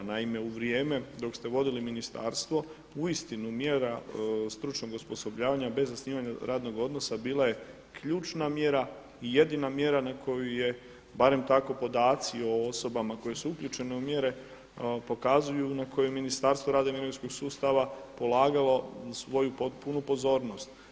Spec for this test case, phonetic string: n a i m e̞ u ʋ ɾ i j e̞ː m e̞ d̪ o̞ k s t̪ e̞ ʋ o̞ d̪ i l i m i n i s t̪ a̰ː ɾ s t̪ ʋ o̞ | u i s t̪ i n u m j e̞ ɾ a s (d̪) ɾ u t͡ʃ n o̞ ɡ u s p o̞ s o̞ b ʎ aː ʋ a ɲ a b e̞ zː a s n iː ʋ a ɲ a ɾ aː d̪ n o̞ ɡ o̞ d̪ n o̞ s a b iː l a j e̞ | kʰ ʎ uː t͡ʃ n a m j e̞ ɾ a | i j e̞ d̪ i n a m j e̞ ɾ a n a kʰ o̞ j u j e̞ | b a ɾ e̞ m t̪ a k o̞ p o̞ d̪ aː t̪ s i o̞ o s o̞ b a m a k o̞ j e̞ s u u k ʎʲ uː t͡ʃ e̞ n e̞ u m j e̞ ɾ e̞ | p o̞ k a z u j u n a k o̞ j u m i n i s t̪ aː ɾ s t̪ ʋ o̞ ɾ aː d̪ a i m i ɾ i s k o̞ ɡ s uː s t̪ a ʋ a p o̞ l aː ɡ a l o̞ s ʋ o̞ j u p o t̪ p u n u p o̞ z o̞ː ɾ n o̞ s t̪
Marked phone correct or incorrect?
incorrect